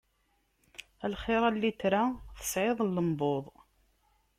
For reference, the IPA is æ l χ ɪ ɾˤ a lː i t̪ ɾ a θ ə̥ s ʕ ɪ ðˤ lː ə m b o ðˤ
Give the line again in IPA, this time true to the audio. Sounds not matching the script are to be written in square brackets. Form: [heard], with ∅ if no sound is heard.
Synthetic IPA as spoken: æ l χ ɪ ɾˤ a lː i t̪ ɾ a θ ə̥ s ʕ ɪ ðˤ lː ə m b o ðˤ